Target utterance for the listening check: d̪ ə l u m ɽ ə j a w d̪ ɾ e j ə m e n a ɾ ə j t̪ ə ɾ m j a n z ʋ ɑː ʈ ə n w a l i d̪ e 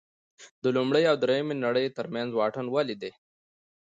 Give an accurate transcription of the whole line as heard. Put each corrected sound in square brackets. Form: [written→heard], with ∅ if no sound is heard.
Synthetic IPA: d̪ ə l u m ɽ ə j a w d̪ ɾ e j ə m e n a [ɾ→ɽ] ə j t̪ ə ɾ m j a n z [ʋ→w] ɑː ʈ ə n w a l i d̪ e